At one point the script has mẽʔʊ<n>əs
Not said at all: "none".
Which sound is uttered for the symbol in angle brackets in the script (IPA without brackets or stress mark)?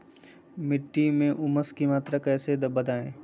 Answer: m